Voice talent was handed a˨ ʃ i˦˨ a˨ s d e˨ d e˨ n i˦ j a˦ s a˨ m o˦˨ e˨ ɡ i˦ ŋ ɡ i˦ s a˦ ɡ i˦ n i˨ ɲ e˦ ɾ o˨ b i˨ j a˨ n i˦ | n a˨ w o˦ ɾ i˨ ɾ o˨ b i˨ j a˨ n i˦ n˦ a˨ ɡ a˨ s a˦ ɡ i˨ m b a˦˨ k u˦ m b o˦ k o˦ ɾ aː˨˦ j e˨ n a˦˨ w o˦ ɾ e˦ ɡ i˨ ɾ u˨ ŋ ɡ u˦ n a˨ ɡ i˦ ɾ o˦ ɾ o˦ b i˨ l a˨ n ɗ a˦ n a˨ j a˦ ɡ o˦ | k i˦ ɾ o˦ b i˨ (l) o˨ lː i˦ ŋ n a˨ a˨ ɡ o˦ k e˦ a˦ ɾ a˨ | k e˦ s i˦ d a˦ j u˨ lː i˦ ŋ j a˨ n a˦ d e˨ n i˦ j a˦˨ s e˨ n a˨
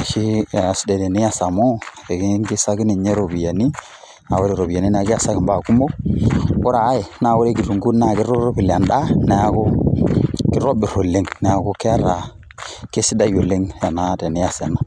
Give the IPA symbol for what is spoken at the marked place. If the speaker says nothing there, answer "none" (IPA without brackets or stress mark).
ɾ